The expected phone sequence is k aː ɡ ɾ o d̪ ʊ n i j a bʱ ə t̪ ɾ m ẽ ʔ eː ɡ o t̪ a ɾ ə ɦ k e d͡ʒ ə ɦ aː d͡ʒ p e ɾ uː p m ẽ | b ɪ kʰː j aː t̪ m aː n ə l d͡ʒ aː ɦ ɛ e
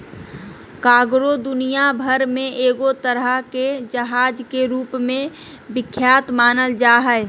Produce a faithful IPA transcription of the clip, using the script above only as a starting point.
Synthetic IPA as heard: k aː ɡ ɾ o d̪ ʊ n i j a bʱ ə ɾ m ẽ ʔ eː ɡ o t̪ ə ɾ ə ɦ k e d͡ʒ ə ɦ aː d͡ʒ k e ɾ uː p m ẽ | b ɪ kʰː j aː t̪ m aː n ə l d͡ʒ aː ɦ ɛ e